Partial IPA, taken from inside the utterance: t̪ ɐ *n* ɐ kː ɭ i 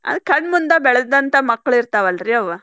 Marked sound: incorrect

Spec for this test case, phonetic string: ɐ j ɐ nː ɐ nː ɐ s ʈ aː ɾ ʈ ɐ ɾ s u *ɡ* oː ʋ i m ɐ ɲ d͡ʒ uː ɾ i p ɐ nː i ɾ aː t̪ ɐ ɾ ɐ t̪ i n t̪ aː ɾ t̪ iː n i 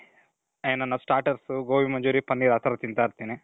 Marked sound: correct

